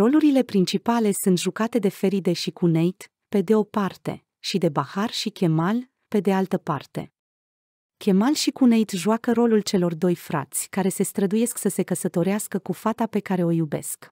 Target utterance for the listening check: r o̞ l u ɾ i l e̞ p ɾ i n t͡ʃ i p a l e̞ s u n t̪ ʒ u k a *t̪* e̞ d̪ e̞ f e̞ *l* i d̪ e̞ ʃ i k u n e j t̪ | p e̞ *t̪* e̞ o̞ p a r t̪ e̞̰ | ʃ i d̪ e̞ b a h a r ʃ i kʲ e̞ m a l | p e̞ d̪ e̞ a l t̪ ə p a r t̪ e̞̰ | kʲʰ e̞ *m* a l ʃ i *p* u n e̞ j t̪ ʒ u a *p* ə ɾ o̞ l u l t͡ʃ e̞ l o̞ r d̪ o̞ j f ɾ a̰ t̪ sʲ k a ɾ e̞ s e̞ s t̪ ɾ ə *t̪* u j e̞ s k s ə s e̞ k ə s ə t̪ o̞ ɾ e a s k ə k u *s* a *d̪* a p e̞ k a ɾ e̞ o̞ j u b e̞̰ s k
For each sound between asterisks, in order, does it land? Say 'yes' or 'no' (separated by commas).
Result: yes, no, no, yes, no, no, no, no, no